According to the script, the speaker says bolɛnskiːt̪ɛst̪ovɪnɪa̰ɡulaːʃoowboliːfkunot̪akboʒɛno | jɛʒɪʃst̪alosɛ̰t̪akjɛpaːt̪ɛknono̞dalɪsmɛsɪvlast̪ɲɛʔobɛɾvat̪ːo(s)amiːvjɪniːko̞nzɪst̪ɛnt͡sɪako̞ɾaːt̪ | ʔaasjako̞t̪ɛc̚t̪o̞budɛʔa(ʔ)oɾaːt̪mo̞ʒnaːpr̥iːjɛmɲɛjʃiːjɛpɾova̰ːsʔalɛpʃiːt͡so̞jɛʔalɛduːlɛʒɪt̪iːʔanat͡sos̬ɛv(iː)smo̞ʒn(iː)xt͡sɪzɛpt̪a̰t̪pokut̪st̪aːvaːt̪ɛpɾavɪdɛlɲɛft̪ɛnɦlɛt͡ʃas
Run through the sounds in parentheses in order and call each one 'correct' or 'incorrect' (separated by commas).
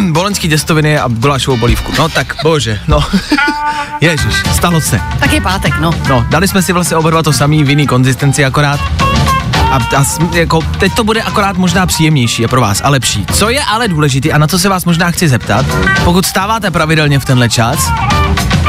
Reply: correct, incorrect, incorrect, incorrect